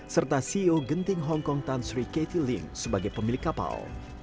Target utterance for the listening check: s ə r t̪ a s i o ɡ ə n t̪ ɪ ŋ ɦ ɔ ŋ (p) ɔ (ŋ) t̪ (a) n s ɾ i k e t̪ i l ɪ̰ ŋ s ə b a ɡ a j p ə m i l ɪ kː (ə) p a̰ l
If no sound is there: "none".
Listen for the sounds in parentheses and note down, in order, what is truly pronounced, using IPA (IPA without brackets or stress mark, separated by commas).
k, ŋ, a, a